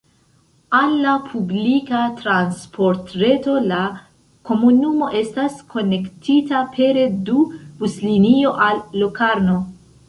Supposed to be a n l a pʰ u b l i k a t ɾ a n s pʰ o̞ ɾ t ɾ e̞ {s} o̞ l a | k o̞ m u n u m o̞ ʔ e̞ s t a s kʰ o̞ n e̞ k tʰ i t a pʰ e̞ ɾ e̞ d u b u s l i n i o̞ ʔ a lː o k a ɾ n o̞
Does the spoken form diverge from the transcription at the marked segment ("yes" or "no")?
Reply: yes